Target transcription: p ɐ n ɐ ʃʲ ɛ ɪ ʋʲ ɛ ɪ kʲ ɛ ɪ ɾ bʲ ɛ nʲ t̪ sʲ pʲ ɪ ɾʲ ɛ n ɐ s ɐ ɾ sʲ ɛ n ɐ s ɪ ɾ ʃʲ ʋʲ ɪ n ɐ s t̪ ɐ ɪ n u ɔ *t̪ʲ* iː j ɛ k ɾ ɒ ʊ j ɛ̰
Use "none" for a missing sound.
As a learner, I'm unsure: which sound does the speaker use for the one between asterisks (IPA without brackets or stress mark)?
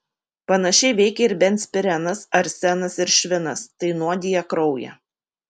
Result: d̪ʲ